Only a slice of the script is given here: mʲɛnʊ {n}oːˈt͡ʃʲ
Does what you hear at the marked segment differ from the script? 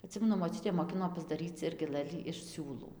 yes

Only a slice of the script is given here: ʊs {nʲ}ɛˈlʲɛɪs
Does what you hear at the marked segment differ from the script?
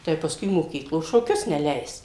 no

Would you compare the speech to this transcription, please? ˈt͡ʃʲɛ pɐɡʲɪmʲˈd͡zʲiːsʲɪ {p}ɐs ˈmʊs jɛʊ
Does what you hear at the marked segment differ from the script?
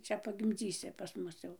no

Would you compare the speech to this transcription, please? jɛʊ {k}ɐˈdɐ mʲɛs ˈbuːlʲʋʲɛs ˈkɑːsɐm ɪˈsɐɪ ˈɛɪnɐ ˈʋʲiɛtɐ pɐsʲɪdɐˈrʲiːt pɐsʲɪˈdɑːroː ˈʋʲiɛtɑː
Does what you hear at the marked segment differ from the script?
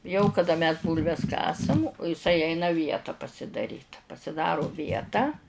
no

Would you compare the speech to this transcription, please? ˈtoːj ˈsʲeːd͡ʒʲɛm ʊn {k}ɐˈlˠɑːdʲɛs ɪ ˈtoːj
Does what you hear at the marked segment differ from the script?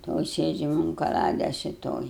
no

